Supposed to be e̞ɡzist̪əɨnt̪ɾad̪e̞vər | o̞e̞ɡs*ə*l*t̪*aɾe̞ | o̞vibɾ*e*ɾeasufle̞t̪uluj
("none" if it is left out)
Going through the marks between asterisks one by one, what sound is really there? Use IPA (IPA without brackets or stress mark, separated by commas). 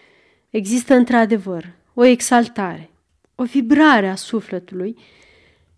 a, t̪, a